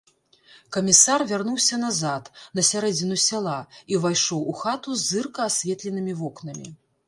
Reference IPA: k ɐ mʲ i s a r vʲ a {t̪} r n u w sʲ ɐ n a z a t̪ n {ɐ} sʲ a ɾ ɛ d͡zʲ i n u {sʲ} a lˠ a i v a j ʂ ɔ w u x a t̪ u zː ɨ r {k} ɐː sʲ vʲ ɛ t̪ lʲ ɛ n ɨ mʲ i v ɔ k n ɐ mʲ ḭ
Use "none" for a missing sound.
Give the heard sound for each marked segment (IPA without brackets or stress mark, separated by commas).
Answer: none, ɐ, sʲ, k